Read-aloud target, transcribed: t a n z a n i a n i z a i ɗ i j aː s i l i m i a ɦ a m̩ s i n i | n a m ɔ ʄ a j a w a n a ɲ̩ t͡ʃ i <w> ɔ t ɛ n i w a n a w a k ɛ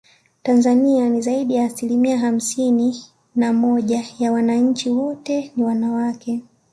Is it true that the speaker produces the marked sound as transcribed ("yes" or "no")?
yes